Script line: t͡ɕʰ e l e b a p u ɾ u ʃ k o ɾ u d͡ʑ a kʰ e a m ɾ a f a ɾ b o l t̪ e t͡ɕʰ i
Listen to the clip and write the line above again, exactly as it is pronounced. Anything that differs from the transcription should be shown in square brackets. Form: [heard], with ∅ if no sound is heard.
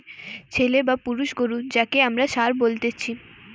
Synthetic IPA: t͡ɕʰ e l e b a p u ɾ u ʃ [ɡ] o ɾ u d͡ʑ a [k] e a m ɾ a [ʃ] a ɾ b o l t̪ e t͡ɕʰ i